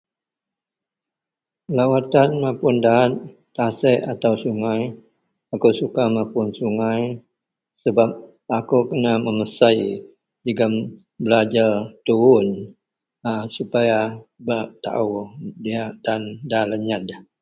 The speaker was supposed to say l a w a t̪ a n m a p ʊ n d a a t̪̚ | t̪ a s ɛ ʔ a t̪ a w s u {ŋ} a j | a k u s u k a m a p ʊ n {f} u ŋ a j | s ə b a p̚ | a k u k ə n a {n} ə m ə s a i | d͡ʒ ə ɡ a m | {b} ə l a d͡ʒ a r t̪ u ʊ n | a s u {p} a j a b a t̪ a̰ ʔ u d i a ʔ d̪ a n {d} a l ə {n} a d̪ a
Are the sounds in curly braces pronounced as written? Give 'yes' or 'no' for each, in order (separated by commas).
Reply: yes, no, no, yes, yes, yes, no